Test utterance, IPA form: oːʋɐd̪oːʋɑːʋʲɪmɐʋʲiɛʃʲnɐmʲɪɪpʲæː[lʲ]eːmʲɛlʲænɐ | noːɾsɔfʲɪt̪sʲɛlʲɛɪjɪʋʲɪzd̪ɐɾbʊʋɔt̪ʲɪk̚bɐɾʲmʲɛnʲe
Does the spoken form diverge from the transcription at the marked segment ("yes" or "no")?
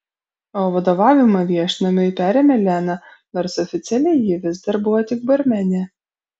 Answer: yes